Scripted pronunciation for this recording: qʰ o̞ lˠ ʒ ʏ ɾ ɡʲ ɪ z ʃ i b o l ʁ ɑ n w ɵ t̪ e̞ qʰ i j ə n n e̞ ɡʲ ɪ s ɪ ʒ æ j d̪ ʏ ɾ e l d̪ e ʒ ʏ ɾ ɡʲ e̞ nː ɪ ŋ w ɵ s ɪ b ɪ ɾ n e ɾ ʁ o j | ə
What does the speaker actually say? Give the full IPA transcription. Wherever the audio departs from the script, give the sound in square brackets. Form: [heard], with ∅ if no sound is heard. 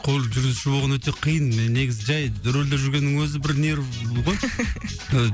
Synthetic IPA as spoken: qʰ o̞ lˠ ʒ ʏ ɾ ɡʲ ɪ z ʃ [ɪ] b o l ʁ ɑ n w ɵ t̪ e̞ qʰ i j ə n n e̞ ɡʲ ɪ [z] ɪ ʒ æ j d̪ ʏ ɾ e l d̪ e ʒ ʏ ɾ ɡʲ e̞ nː ɪ ŋ w ɵ [z] ɪ b ɪ ɾ n e ɾ ʁ o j | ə

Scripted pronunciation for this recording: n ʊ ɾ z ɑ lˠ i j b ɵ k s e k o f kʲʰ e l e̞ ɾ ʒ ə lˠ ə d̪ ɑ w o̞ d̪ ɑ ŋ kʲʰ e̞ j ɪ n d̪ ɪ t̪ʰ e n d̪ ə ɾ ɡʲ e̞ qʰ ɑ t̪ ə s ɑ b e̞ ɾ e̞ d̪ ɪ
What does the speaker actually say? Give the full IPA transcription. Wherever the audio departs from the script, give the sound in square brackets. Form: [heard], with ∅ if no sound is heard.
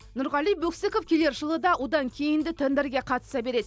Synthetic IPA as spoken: n ʊ ɾ [ʁ] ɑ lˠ i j b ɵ k s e k o f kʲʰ e l e̞ ɾ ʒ ə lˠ ə d̪ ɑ w o̞ d̪ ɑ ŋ kʲʰ e̞ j ɪ n d̪ ɪ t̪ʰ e n d̪ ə ɾ ɡʲ e̞ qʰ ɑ t̪ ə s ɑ b e̞ ɾ e̞ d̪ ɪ

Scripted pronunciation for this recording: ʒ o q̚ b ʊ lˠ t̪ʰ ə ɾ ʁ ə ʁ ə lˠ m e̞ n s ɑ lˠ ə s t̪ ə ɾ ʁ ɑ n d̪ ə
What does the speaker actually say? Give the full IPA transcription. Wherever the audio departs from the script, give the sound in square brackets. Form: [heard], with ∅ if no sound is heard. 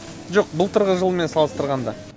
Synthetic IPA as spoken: ʒ o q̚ b ʊ lˠ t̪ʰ ə ɾ ʁ ə [ʒ] ə lˠ m e̞ n s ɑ lˠ ə s t̪ ə ɾ ʁ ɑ n d̪ [ɑ]

